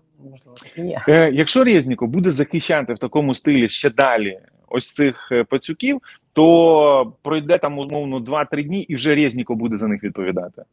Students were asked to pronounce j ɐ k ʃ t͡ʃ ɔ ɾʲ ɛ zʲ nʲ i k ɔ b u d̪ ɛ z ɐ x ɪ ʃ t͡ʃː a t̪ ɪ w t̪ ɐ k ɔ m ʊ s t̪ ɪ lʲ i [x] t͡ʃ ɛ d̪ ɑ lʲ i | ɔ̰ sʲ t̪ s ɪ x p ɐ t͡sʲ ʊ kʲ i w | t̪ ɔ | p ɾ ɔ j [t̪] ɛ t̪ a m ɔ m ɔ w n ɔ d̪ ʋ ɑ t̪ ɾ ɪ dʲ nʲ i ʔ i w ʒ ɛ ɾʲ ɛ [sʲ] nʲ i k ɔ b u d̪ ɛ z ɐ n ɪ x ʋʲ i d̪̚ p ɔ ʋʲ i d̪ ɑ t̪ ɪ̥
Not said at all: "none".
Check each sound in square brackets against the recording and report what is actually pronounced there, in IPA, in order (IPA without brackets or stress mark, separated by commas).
ʃ, d̪, zʲ